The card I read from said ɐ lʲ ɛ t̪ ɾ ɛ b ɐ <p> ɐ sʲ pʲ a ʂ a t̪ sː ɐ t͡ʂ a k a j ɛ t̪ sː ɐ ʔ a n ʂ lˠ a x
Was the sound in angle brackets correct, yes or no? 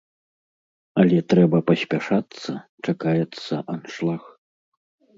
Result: yes